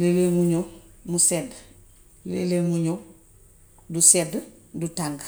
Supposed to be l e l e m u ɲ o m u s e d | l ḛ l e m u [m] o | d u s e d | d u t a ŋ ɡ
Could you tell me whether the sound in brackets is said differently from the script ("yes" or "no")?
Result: yes